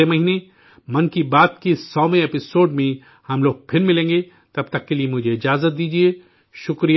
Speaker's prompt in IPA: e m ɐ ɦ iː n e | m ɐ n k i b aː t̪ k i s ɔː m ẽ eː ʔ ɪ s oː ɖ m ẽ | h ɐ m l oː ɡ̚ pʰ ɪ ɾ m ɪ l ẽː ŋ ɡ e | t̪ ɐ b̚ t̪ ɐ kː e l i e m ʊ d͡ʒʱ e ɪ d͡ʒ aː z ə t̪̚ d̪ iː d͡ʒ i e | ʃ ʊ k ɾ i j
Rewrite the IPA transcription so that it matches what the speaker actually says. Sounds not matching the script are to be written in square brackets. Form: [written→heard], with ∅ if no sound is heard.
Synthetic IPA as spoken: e m ɐ ɦ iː n e | m ɐ n k i b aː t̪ k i s ɔː m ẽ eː [ʔ→p] ɪ s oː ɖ m ẽ | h ɐ m l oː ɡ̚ pʰ ɪ ɾ m ɪ l ẽː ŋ ɡ e | t̪ ɐ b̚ t̪ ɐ kː e l i e m ʊ d͡ʒʱ e ɪ d͡ʒ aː z ə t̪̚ d̪ iː d͡ʒ i e | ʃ ʊ k ɾ i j